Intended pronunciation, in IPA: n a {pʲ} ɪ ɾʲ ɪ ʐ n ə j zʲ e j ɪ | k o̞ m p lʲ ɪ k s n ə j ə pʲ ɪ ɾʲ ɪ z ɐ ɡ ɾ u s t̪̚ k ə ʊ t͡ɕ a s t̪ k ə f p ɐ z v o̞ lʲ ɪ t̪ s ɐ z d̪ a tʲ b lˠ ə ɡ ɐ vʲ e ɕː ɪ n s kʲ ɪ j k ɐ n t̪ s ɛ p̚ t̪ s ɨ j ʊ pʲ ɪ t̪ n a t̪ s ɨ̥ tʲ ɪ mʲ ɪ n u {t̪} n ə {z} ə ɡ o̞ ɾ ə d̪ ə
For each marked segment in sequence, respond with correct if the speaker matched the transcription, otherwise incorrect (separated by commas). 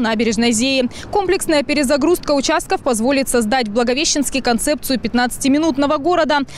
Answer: incorrect, correct, incorrect